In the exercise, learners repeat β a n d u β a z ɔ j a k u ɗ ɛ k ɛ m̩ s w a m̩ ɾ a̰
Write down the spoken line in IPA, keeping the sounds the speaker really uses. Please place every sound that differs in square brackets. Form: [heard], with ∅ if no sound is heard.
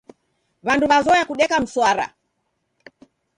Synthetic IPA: β a n d u β a z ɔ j a k u ɗ ɛ k [a] m̩ s w a [∅] ɾ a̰

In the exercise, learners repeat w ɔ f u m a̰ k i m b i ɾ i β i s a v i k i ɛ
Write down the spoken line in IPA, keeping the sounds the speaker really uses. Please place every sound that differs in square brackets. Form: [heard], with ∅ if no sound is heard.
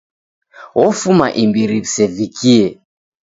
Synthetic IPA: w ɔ f u m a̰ [ʔ] i m b i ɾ i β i s [ɛ] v i k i ɛ

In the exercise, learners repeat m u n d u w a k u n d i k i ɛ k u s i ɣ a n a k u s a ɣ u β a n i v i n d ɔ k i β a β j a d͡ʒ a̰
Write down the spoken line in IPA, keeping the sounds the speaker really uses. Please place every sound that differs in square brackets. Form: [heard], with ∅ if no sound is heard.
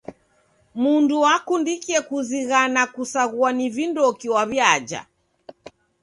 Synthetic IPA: m u n d u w a k u n d i k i ɛ k u [z] i ɣ a n a k u s a ɣ u [∅] a n i v i n d ɔ k i [w] a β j a d͡ʒ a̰

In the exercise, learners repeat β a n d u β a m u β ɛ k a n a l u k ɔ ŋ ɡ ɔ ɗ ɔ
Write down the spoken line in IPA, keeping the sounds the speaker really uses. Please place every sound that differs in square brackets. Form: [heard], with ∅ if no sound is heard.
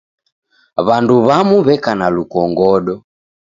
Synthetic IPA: β a n d u β a m u β ɛ k a n a l u k ɔ ŋ ɡ ɔ ɗ ɔ

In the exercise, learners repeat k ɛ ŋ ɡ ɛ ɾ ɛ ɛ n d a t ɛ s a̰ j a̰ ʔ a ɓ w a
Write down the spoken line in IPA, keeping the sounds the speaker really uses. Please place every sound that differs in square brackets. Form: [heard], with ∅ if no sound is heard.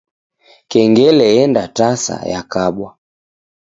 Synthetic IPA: k ɛ ŋ ɡ ɛ [l] ɛ ɛ n d a t [a] s a̰ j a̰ [k] a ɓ w a

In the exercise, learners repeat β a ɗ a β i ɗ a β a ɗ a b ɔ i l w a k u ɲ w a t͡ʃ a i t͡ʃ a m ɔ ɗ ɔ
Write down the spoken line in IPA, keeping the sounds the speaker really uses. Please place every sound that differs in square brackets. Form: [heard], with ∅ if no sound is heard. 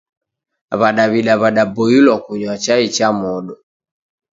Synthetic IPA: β a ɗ a β i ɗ a β a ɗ a b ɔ i l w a k u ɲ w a t͡ʃ a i t͡ʃ a m ɔ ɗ ɔ

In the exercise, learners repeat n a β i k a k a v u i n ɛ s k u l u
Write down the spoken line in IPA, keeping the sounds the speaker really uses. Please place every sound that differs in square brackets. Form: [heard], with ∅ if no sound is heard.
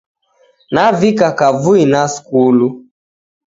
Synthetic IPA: n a [v] i k a k a v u i n [a] s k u l u

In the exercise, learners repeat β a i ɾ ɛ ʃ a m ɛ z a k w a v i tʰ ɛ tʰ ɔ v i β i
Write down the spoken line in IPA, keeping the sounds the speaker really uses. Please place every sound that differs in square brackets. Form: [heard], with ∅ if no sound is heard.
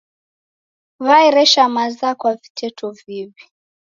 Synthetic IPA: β a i ɾ ɛ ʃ a m [a] z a k w a v i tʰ ɛ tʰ ɔ v i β i

